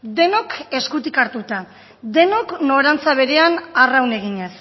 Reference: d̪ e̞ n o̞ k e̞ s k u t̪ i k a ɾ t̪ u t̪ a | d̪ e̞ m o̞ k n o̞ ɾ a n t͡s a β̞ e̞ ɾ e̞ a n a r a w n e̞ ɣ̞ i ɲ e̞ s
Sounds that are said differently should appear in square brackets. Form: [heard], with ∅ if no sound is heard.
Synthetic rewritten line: d̪ e̞ n o̞ k e̞ s k u t̪ i k a ɾ t̪ u t̪ a | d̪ e̞ [n] o̞ k n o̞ ɾ a n t͡s a β̞ e̞ ɾ e̞ a n a r a w n e̞ ɣ̞ i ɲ e̞ s